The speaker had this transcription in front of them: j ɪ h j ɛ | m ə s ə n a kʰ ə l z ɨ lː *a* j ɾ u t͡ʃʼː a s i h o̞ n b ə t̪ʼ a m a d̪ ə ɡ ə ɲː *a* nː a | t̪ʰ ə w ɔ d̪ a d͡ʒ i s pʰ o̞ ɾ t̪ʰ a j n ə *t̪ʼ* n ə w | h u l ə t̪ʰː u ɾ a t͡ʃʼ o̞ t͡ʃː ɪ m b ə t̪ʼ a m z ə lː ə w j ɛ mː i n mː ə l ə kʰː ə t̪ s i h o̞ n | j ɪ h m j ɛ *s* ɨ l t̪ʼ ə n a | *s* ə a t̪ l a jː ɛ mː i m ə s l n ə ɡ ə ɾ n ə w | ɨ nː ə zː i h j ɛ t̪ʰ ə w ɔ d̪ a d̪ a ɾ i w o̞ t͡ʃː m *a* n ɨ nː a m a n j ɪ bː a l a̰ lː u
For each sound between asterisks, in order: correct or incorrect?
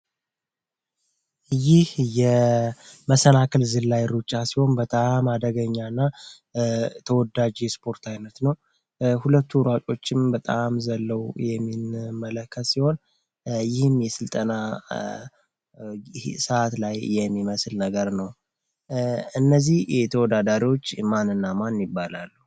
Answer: correct, correct, incorrect: t̪, correct, correct, correct

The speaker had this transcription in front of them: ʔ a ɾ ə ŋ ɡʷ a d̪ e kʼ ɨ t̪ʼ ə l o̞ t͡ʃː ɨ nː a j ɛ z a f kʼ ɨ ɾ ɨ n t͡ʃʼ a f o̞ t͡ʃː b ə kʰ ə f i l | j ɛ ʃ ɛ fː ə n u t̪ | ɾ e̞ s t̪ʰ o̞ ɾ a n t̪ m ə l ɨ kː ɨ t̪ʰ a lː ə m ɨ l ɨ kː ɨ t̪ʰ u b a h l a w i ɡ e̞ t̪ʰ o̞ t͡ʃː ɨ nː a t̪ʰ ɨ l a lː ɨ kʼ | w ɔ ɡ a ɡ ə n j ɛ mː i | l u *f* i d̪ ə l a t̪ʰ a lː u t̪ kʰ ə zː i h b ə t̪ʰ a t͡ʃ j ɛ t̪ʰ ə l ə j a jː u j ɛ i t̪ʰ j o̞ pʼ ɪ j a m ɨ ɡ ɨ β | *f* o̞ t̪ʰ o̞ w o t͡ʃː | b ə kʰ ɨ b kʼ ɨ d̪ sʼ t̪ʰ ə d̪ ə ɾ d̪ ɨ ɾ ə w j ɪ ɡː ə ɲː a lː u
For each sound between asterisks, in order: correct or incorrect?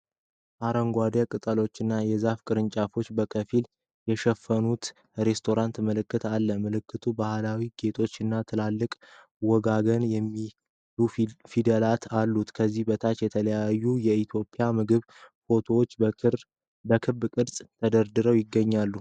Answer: correct, correct

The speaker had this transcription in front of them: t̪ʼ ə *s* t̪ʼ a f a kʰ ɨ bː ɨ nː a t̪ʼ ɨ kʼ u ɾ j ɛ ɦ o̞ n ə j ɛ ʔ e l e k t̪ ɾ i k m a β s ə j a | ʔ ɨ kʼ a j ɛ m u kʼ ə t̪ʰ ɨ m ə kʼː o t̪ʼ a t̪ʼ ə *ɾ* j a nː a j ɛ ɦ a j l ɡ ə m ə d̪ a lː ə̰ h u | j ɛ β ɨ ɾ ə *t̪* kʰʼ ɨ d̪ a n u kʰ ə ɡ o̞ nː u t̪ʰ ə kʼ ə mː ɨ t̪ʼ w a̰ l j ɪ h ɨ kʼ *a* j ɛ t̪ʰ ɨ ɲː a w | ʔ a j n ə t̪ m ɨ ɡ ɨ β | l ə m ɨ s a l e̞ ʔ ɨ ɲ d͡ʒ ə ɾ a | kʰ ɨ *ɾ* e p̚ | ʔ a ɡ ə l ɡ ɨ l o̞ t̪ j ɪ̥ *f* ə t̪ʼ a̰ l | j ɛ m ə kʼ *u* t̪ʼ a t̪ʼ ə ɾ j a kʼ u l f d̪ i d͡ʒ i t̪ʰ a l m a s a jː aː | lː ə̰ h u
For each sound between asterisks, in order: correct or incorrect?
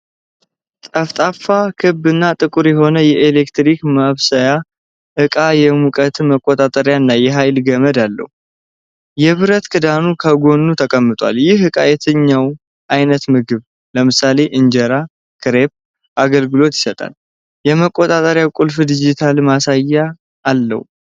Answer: incorrect: f, correct, correct, correct, correct, incorrect: s, incorrect: o

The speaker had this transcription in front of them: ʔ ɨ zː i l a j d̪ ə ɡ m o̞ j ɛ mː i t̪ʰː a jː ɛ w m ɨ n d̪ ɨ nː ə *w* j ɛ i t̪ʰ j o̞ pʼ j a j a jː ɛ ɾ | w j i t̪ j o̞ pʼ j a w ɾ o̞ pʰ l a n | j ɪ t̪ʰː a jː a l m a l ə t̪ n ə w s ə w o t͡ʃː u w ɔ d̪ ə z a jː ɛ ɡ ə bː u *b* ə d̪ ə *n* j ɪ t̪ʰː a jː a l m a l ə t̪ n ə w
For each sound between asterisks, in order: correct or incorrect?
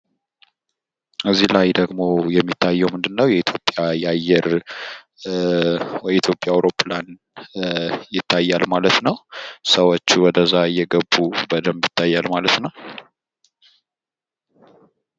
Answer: correct, correct, incorrect: m

